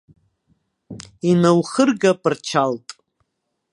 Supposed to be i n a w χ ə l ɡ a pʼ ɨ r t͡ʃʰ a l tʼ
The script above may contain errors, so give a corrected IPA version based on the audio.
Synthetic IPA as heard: i n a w χ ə r ɡ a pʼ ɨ r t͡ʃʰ a l tʼ